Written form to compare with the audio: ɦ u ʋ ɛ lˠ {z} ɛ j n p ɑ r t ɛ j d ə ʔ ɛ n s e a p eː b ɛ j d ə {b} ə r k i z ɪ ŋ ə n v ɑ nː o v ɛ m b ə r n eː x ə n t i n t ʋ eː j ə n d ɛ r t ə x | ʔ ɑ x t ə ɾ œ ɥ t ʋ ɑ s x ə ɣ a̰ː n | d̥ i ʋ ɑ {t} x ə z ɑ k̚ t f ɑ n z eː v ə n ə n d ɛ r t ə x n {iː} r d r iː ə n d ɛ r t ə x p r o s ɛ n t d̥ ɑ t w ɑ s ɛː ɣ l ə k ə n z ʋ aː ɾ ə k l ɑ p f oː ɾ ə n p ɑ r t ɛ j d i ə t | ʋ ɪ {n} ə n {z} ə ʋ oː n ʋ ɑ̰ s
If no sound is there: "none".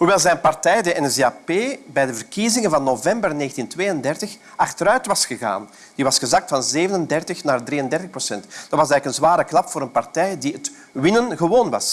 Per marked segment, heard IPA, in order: z, v, s, aː, n, ɣ

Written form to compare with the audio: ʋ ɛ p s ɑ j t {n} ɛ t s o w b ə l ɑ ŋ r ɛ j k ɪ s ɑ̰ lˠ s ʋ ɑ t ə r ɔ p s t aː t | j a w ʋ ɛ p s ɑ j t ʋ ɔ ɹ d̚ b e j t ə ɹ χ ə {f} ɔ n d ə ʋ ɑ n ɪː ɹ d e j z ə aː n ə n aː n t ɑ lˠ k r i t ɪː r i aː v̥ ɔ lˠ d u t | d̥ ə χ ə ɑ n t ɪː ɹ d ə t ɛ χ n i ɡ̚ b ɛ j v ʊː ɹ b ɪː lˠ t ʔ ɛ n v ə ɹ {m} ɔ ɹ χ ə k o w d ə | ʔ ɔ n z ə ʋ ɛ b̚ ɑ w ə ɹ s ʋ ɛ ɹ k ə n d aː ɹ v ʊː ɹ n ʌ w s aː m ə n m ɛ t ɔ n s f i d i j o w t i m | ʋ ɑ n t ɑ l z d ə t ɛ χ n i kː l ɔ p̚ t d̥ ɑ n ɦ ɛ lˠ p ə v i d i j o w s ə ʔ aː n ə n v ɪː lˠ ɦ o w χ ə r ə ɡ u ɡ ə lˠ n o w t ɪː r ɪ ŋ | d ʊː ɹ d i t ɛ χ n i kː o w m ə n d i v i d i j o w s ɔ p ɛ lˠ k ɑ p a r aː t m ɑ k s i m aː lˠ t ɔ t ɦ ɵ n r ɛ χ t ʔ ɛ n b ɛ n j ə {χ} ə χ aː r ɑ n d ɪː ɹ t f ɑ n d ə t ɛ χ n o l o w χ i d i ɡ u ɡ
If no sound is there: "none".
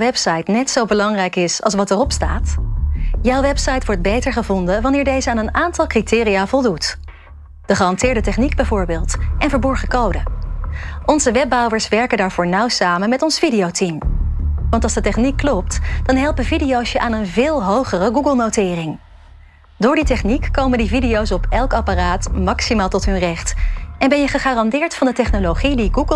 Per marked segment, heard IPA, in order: n, v, b, χ

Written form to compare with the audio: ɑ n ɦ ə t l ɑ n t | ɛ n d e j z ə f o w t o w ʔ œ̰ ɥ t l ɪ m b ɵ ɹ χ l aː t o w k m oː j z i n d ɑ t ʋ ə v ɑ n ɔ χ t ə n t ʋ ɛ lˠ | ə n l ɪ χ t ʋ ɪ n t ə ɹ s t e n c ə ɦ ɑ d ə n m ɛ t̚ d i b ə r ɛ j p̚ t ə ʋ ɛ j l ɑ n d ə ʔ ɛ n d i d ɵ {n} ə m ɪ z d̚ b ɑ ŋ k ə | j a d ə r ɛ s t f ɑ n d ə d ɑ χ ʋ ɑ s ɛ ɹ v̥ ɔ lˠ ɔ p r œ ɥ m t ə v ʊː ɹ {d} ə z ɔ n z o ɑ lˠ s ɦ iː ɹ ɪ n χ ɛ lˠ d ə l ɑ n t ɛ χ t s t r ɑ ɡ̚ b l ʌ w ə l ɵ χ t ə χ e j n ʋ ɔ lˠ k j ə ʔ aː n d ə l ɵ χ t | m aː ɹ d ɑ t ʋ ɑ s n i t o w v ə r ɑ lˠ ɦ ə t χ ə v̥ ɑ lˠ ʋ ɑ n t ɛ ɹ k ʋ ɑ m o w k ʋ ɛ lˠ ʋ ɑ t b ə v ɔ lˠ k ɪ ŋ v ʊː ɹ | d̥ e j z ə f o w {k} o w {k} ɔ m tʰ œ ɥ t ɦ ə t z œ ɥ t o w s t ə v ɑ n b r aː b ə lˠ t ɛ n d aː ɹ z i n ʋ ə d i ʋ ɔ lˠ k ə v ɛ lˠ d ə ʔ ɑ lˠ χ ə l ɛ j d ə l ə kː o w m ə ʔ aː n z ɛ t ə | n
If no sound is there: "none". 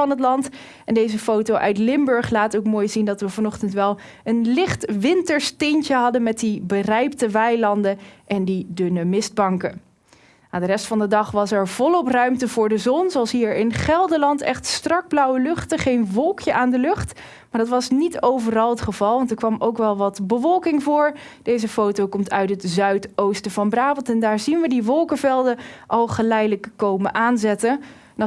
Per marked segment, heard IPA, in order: n, d, t, k

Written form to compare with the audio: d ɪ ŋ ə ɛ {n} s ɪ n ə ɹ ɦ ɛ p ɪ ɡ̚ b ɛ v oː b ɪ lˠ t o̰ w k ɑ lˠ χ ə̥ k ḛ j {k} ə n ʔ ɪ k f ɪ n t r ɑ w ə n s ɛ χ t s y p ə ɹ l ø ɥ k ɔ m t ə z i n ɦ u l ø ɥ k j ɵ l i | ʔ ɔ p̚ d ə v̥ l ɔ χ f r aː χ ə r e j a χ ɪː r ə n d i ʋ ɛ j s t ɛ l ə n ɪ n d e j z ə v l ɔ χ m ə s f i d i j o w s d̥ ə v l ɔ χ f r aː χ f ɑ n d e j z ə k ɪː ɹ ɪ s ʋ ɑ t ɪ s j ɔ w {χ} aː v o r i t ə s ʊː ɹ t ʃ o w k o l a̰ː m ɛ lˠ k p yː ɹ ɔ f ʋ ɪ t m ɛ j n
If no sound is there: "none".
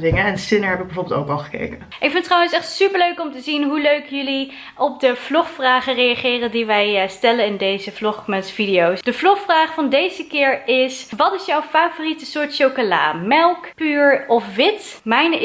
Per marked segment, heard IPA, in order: n, k, f

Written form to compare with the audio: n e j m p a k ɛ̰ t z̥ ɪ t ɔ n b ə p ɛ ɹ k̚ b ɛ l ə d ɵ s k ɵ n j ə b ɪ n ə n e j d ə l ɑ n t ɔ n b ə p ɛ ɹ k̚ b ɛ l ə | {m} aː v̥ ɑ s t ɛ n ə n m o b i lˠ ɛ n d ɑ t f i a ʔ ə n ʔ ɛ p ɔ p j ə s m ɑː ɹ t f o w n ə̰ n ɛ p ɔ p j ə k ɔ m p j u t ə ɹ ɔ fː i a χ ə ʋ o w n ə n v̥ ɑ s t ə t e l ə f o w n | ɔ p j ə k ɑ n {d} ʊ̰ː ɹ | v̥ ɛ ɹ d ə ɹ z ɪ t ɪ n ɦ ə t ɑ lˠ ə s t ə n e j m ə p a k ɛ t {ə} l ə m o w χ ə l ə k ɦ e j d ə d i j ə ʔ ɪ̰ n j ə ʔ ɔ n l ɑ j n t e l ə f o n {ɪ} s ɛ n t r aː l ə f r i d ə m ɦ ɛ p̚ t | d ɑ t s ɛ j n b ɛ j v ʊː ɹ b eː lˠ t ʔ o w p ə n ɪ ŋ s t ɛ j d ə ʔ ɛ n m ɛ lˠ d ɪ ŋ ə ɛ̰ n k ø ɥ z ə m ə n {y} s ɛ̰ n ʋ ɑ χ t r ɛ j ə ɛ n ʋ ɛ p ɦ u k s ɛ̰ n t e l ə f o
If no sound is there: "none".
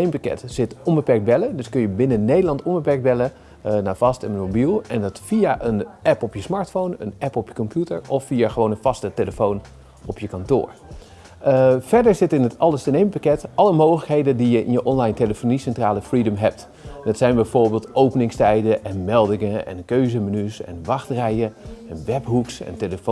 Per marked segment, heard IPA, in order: n, t, ɑ, i, y

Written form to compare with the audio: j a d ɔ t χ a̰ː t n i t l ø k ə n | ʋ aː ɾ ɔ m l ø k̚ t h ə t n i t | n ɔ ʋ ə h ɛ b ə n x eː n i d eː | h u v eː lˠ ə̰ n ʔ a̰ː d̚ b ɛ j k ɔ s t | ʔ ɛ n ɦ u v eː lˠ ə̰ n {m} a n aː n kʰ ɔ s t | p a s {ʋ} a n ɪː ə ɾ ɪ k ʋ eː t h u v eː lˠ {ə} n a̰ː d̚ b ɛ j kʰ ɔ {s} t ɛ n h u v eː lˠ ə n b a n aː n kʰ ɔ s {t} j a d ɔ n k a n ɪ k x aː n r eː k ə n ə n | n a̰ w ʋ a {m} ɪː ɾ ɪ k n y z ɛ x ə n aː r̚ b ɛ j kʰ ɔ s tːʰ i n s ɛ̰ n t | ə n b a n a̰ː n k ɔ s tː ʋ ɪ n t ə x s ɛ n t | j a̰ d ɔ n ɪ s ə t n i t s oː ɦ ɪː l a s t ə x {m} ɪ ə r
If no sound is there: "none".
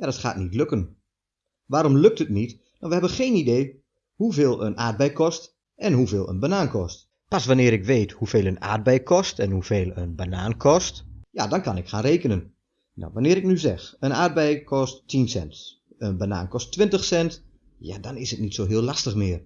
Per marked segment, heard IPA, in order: b, ʋ, ə, s, t, n, m

